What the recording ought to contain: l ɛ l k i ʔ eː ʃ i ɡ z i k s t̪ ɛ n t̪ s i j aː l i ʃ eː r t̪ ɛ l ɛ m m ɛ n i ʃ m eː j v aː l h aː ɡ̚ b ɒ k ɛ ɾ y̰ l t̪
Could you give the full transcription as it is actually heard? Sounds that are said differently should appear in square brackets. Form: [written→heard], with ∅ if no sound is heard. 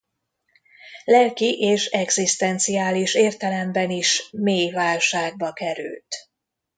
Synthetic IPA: l ɛ l k i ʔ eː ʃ [i→ɛ] ɡ z i [k→∅] s t̪ ɛ n t̪ s i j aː l i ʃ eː r t̪ ɛ l ɛ m [m→b] ɛ n i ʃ m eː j v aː l [h→ʃ] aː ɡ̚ b ɒ k ɛ ɾ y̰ l t̪